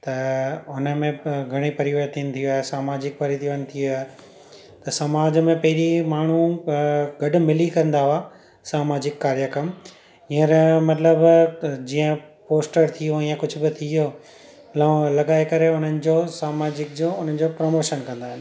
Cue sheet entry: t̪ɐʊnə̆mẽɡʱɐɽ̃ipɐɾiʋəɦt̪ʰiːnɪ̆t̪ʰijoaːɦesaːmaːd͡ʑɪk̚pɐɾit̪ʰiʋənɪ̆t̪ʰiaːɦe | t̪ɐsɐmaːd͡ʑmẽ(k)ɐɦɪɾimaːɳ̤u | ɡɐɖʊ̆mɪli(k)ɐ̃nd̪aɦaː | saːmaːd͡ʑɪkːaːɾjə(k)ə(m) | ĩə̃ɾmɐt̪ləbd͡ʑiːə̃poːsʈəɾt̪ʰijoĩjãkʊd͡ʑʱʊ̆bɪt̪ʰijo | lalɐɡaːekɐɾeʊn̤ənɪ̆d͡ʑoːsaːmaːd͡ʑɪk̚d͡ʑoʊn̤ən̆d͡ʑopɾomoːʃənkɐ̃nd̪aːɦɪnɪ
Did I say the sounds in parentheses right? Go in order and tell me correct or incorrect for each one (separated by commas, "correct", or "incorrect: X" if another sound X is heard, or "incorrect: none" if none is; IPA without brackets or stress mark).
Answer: incorrect: p, correct, correct, correct